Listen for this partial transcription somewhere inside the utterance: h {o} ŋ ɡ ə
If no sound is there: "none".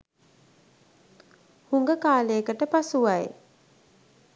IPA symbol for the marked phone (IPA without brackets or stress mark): u